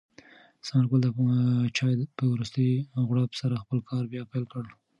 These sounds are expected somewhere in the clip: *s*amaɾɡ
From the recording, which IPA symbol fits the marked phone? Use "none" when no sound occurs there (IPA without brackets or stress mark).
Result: s